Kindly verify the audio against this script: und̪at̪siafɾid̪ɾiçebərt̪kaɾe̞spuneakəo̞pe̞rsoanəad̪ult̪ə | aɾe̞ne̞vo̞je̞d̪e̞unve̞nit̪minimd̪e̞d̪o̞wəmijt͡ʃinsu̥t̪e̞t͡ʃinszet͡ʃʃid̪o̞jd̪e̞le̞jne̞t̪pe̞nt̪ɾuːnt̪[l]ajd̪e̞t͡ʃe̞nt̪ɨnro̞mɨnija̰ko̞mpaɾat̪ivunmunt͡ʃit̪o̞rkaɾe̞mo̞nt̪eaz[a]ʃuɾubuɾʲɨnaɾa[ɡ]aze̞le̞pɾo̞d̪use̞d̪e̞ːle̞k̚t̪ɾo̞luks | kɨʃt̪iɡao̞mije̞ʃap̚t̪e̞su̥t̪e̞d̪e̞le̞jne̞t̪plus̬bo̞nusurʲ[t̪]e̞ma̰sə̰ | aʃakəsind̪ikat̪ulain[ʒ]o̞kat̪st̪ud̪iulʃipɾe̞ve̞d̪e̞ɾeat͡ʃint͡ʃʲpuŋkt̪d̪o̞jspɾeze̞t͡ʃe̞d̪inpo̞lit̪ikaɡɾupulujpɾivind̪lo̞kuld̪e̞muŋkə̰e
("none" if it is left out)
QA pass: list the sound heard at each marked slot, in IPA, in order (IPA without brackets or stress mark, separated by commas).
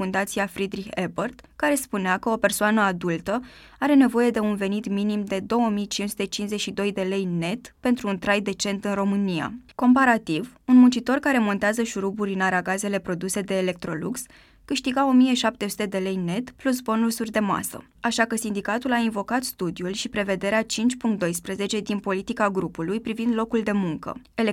ɾ, ə, ɡ, d̪, v